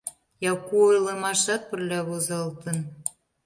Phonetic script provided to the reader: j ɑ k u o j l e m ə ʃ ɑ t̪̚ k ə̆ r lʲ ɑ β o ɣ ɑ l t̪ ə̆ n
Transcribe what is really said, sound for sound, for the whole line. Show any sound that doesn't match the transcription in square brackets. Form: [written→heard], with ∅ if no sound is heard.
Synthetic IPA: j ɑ k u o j l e m [ə→ɑ] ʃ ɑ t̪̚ [k→p] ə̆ r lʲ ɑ β o [ɣ→z] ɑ l t̪ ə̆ n